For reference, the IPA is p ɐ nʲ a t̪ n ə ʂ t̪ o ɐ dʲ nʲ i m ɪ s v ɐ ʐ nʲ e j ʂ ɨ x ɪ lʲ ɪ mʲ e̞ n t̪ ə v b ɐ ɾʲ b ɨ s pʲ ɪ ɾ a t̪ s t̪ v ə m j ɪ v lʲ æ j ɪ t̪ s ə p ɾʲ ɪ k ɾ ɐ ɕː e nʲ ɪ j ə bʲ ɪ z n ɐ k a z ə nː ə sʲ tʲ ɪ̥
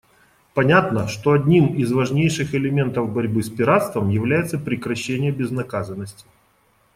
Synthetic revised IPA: p ɐ nʲ a t̪ n ə ʂ t̪ o ɐ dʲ nʲ i m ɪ z v ɐ ʐ nʲ e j ʂ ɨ x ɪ lʲ ɪ mʲ e̞ n t̪ ə v b ɐ ɾʲ b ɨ s pʲ ɪ ɾ a t̪ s t̪ v ə m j ɪ v lʲ æ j ɪ t̪ s ə p ɾʲ ɪ k ɾ ɐ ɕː e nʲ ɪ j ə bʲ ɪ z n ɐ k a z ə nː ə sʲ tʲ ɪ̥